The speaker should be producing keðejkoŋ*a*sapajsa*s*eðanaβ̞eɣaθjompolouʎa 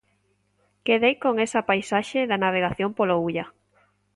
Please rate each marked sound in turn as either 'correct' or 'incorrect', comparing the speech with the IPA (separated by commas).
incorrect, incorrect